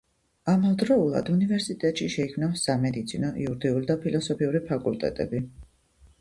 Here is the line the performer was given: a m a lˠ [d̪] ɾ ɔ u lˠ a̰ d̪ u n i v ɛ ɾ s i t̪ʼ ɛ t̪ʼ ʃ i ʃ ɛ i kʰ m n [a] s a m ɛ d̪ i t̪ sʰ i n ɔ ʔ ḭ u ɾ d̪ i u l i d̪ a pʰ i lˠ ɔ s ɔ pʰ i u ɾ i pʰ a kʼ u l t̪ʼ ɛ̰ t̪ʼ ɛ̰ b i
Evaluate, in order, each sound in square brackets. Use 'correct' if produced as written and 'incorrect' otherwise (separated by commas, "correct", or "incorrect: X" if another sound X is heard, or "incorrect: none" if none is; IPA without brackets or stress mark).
correct, correct